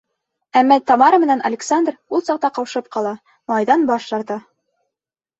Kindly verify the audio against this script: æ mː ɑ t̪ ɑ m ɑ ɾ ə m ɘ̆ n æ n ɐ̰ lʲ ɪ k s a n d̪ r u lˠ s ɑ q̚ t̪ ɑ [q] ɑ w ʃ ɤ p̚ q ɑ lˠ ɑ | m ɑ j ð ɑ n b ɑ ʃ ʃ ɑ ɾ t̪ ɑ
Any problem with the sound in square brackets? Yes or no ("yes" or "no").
no